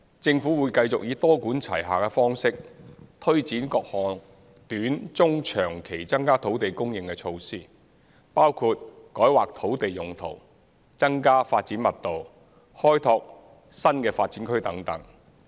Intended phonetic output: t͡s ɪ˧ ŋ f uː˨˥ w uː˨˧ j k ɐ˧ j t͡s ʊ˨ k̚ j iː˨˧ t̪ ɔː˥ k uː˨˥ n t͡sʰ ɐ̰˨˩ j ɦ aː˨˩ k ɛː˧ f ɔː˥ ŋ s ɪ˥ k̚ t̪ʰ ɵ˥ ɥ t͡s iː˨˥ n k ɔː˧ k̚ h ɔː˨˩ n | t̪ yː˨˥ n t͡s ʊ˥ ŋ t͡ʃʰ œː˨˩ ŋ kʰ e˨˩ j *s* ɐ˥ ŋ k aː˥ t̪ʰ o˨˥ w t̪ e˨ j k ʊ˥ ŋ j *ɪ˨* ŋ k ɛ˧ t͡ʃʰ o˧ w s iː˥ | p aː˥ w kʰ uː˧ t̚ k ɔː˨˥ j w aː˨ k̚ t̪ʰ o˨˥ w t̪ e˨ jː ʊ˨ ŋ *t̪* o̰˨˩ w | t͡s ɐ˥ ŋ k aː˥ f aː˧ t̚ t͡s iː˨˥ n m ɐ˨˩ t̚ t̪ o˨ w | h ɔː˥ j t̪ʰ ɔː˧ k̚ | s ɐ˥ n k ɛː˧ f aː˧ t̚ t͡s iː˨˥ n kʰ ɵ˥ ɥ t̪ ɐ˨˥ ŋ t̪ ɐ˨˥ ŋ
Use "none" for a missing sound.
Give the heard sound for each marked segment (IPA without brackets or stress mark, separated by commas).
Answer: t͡s, ɪ˨, t̪ʰ